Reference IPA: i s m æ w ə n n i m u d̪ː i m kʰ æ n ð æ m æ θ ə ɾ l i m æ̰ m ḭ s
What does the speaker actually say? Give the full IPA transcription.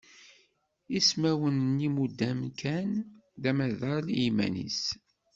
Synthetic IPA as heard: i s m æ w ə n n i m u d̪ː æ m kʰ æ n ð æ m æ ð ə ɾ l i m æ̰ n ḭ s